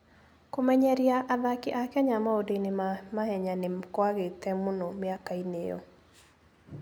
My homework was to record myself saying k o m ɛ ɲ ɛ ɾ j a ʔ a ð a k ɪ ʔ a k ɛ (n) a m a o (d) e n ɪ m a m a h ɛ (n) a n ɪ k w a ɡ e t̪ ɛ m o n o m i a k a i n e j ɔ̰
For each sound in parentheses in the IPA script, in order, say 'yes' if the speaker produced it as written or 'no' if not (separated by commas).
no, yes, no